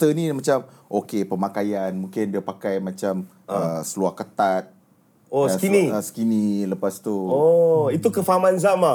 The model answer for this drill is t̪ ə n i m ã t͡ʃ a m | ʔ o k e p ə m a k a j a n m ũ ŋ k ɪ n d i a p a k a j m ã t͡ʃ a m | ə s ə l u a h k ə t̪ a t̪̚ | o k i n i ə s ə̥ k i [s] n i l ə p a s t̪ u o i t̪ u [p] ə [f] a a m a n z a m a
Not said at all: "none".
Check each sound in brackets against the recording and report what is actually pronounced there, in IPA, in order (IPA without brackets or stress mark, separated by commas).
none, k, f